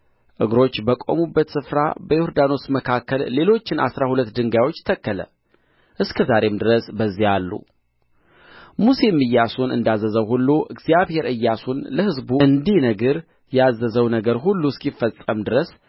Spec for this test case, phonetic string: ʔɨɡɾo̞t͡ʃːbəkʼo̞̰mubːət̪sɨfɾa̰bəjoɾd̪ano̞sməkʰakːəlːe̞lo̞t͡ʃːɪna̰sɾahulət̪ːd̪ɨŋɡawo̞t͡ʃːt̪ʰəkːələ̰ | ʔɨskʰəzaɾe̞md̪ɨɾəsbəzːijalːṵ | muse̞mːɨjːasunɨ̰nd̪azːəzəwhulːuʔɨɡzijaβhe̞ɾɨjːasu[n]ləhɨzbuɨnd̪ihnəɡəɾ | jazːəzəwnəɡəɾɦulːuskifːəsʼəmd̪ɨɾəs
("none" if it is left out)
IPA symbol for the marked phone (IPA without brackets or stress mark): n